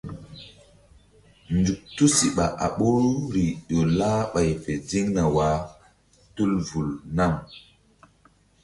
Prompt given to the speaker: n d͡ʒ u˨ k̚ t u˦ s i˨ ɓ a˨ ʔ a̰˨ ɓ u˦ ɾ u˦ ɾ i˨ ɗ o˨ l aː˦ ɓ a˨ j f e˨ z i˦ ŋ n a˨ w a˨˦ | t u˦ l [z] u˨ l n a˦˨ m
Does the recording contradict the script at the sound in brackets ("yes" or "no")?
yes